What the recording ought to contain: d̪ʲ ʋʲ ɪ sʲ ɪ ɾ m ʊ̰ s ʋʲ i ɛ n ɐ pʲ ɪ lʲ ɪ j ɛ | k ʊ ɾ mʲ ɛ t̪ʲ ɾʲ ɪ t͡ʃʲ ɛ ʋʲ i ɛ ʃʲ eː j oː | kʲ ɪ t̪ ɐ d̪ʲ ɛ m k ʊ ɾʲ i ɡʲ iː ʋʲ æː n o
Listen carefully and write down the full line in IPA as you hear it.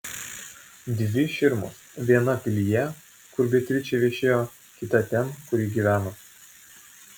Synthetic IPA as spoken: d̪ʲ ʋʲ ɪ ʃʲ ɪ ɾ m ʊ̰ s ʋʲ i ɛ n ɐ pʲ ɪ lʲ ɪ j ɛ | k ʊ ɾ bʲ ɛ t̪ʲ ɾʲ ɪ t͡ʃʲ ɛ ʋʲ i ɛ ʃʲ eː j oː | kʲ ɪ t̪ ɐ t̪ʲ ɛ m k ʊ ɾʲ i ɡʲ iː ʋʲ æː n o

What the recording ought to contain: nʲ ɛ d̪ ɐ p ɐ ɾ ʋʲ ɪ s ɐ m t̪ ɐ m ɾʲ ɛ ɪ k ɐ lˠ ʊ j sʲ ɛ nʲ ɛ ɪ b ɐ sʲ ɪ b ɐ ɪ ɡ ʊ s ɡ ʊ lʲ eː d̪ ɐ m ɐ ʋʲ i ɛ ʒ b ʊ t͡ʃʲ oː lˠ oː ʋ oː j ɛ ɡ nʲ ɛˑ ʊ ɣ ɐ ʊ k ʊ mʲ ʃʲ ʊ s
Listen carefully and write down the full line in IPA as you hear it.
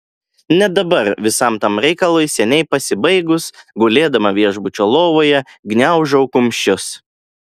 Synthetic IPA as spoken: nʲ ɛ d̪ ɐ b ɐ ɾ ʋʲ ɪ s ɐ m t̪ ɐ m ɾʲ ɛ ɪ k ɐ lˠ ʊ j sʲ ɛ nʲ ɛ ɪ p ɐ sʲ ɪ b ɐ ɪ ɡ ʊ s ɡ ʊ lʲ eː d̪ ɐ m ɐ ʋʲ i ɛ ʒ b ʊ t͡ʃʲ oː lˠ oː ʋ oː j ɛ ɡ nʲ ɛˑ ʊ ʒ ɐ ʊ k ʊ mʲ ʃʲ ʊ s

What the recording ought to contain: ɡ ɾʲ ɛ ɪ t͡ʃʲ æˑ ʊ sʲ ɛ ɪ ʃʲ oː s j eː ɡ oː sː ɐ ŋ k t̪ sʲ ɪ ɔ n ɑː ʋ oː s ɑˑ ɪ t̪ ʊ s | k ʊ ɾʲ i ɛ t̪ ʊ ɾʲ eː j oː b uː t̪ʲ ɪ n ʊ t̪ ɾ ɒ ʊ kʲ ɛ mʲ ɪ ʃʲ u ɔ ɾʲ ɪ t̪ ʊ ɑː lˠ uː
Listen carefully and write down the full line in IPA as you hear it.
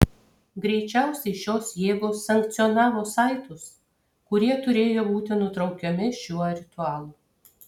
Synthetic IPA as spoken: ɡ ɾʲ ɛ ɪ t͡ʃʲ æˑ ʊ sʲ ɛ ɪ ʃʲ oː s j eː ɡ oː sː ɐ ŋ k t̪ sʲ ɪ ɔ n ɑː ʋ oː s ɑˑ ɪ t̪ ʊ s | k ʊ ɾʲ i ɛ t̪ ʊ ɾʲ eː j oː b uː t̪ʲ ɪ n ʊ t̪ ɾ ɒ ʊ kʲ ɛ mʲ ɪ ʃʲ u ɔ ɾʲ ɪ t̪ ʊ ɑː lˠ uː

